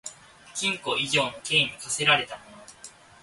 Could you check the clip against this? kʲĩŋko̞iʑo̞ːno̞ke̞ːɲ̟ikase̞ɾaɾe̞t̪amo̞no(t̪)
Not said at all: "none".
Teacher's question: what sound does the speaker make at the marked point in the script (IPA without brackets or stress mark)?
none